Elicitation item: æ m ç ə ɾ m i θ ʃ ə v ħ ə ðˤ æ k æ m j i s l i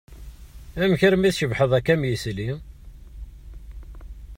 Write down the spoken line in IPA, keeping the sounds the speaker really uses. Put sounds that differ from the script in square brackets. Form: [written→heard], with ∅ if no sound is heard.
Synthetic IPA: æ m ç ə ɾ m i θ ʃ ə v ħ ə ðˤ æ k æ m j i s l i